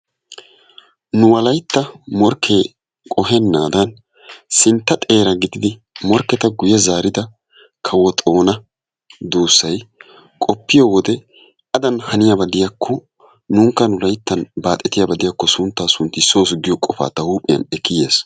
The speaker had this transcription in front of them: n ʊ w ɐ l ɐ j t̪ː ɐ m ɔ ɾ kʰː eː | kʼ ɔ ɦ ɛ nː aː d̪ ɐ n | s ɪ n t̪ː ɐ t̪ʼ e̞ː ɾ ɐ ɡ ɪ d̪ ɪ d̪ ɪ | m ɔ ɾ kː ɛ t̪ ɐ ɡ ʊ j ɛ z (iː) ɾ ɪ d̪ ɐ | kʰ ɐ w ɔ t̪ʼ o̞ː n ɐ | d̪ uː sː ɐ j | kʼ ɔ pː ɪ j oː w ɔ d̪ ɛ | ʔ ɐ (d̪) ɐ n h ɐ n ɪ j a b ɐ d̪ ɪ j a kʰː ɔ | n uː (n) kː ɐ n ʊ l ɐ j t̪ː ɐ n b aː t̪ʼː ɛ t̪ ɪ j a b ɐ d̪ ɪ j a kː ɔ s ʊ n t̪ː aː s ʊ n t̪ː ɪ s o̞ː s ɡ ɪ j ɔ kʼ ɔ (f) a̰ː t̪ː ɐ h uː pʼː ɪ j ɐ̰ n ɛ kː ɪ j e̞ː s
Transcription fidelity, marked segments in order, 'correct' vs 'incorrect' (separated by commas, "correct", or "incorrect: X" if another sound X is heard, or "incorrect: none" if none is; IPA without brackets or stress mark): incorrect: aː, correct, incorrect: ŋ, correct